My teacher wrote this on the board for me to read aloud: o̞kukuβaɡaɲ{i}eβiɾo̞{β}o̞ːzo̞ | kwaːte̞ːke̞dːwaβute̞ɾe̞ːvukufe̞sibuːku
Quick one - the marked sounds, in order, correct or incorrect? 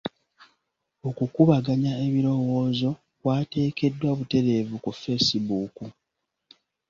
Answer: incorrect: a, incorrect: w

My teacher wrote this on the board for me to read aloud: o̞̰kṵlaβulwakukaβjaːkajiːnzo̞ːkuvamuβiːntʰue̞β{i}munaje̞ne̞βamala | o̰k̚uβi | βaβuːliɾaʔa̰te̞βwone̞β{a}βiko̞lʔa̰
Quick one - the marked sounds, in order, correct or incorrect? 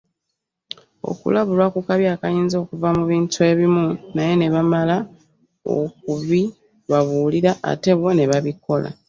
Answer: correct, correct

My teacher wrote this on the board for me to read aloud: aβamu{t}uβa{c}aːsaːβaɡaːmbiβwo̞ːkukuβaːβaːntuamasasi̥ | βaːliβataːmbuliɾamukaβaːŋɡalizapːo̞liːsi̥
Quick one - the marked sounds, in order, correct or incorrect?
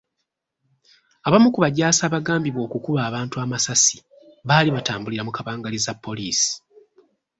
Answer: incorrect: k, incorrect: ɟ

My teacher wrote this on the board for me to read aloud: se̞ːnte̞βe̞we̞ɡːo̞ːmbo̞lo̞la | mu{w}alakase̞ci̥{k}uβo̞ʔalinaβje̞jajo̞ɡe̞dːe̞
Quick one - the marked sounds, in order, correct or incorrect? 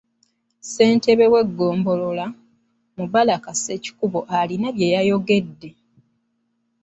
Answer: incorrect: β, correct

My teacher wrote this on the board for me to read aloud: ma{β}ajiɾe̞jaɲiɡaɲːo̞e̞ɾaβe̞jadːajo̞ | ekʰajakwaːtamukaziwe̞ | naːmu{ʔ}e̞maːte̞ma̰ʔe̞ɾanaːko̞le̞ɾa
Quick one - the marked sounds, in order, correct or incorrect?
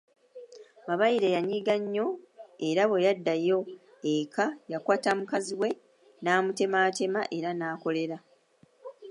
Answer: correct, incorrect: t

